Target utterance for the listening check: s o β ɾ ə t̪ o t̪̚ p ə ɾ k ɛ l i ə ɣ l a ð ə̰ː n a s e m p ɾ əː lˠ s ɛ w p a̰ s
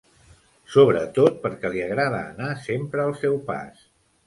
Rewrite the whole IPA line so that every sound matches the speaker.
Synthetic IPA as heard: s o β ɾ ə t̪ o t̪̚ p ə ɾ k ɛ l i ə ɣ ɾ a ð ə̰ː n a s e m p ɾ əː lˠ s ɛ w p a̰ s